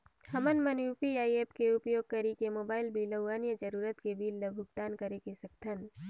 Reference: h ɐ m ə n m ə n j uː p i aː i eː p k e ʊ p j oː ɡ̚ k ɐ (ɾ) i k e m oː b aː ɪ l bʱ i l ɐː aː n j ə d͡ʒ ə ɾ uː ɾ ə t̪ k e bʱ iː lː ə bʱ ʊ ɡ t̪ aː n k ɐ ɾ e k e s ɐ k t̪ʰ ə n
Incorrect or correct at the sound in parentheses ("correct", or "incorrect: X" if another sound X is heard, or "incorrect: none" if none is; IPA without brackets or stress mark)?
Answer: correct